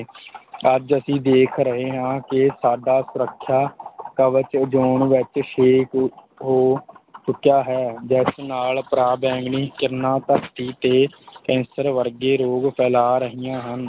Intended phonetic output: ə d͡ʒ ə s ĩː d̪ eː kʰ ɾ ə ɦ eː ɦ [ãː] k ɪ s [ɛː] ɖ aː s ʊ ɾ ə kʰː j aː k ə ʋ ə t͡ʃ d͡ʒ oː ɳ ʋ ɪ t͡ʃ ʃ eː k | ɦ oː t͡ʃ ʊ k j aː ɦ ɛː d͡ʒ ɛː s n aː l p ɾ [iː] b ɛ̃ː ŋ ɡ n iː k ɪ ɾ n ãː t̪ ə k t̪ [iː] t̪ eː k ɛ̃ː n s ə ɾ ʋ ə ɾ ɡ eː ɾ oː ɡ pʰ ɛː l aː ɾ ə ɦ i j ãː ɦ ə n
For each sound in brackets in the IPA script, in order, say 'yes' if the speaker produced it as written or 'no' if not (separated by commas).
yes, no, no, yes